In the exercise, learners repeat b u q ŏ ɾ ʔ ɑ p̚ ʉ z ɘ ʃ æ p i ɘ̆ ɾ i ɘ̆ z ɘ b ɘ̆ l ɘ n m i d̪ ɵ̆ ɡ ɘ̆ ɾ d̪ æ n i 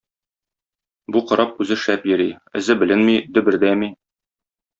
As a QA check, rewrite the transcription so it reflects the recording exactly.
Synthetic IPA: b u q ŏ ɾ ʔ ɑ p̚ ʉ z ɘ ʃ æ p j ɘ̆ ɾ i ɘ̆ z ɘ b ɘ̆ l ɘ n m i d̪ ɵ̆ b ɘ̆ ɾ d̪ æ m i